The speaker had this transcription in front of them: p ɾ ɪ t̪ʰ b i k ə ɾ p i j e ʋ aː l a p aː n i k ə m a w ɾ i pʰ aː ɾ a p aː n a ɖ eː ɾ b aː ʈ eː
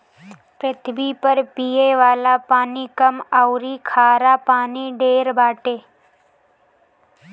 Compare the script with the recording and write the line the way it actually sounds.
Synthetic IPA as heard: p ɾ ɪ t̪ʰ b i p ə ɾ p i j e ʋ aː l a p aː n i k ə m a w ɾ i kʰ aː ɾ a p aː n i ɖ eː ɾ b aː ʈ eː